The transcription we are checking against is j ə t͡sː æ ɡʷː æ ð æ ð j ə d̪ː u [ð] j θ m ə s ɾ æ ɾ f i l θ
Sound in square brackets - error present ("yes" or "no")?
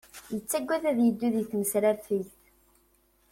no